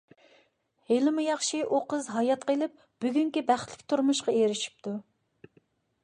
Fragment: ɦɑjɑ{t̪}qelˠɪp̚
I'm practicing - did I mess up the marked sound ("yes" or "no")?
no